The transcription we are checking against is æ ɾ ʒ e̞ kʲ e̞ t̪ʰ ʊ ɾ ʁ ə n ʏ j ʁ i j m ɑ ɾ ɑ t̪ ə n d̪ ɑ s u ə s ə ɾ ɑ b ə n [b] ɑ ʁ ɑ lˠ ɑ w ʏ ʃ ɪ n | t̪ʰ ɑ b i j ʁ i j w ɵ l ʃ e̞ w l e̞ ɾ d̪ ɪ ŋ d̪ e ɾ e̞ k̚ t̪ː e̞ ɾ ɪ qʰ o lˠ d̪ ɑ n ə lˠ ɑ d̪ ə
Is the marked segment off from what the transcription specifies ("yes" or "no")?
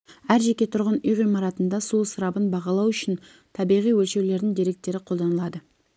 no